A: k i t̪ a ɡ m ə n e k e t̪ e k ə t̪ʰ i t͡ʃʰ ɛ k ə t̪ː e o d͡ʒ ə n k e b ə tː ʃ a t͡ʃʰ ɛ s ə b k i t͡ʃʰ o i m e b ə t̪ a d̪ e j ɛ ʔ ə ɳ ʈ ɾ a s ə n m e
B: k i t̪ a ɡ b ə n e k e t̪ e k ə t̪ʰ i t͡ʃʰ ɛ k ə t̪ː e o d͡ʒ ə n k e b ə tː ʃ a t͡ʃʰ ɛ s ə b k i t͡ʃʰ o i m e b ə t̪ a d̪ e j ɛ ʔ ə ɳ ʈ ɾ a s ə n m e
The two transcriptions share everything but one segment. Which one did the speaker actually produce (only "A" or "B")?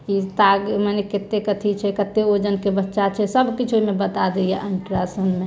A